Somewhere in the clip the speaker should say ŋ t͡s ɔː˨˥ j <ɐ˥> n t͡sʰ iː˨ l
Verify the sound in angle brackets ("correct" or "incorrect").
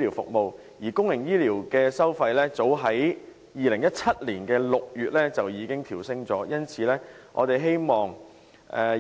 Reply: correct